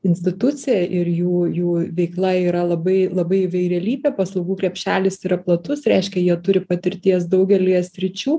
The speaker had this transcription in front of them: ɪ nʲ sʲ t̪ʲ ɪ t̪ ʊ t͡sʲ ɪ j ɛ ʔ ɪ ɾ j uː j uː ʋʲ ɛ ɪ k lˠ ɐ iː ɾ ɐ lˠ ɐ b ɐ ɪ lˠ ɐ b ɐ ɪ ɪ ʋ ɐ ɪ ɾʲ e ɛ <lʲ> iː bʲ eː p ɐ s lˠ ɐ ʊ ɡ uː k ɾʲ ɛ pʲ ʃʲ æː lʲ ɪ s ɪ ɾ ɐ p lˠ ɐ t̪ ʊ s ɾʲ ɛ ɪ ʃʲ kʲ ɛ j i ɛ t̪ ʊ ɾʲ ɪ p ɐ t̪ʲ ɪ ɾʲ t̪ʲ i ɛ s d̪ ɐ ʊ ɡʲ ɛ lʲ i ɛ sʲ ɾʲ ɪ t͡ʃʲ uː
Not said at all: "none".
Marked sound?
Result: lʲ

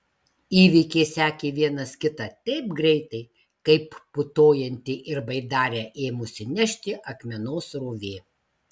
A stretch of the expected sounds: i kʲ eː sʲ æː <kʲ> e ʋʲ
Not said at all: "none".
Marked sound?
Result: kʲ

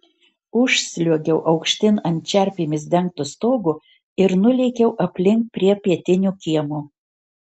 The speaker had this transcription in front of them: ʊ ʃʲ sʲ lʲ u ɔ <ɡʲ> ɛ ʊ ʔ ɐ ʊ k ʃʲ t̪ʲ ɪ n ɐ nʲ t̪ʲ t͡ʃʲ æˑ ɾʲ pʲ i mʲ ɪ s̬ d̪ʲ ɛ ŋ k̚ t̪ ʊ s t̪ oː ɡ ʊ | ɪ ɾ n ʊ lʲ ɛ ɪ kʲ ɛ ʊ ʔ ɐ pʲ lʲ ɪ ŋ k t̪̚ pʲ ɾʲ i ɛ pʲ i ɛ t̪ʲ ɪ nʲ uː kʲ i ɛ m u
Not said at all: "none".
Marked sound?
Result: ɡʲ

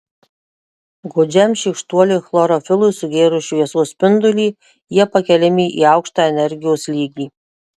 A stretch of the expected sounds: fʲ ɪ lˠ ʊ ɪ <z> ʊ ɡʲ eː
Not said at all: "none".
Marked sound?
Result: s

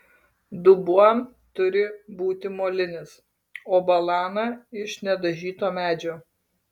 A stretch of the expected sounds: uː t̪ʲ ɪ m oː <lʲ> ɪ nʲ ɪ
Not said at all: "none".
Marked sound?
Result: lʲ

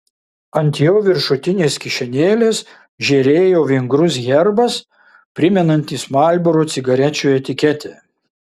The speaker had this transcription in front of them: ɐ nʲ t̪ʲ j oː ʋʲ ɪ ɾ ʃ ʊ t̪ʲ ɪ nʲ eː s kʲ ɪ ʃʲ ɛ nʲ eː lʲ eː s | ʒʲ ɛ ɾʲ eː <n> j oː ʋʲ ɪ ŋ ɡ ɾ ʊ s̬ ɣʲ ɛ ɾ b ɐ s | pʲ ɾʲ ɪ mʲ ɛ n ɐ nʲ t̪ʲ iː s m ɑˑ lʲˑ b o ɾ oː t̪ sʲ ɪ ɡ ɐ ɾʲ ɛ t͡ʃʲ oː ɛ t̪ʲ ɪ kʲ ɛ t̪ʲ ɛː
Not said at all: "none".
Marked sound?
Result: none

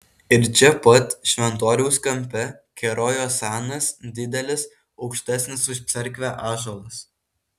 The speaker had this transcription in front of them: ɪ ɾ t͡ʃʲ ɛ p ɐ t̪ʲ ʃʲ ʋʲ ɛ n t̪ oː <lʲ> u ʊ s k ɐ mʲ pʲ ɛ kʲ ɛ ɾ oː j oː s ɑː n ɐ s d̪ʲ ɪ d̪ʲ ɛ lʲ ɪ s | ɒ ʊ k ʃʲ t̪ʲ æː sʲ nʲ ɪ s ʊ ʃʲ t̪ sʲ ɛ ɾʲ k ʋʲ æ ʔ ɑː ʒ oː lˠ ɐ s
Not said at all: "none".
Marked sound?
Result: ɾʲ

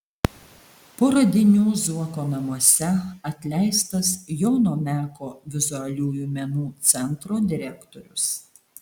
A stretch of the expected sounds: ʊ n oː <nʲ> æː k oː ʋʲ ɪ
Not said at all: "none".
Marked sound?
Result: mʲ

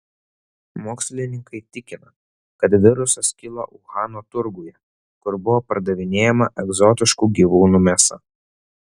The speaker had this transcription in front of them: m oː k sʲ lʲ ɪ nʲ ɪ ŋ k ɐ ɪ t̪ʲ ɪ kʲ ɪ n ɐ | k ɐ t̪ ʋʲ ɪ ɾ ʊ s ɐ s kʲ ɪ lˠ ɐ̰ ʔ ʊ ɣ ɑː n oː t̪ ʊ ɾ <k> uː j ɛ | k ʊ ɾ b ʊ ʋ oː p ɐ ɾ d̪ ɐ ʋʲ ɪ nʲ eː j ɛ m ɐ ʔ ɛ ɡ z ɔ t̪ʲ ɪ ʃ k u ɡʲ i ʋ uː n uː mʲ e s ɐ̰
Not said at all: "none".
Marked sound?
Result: ɡ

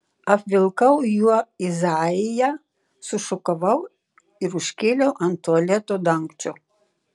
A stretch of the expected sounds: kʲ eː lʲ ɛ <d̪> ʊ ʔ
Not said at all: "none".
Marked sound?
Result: none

